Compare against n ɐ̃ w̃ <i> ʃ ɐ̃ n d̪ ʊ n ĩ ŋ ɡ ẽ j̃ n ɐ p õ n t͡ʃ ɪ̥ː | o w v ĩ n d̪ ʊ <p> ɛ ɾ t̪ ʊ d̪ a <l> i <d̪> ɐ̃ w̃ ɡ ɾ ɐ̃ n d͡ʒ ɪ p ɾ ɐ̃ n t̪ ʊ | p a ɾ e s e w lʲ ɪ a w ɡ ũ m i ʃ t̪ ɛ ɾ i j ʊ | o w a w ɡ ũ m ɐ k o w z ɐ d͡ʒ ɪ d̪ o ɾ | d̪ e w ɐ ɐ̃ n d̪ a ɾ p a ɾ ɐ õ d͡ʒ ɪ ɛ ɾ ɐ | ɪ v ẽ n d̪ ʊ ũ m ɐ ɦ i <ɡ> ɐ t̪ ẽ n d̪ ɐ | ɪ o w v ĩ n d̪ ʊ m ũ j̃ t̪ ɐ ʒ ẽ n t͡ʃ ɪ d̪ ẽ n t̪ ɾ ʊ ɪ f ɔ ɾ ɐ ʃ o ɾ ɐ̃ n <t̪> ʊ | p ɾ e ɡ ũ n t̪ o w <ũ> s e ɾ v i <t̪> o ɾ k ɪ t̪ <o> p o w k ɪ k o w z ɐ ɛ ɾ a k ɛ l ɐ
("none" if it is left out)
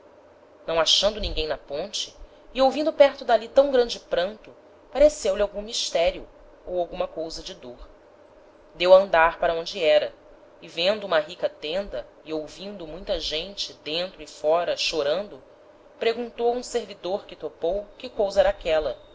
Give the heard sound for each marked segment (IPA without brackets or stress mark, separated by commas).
a, p, l, t̪, k, d̪, ũ, d̪, o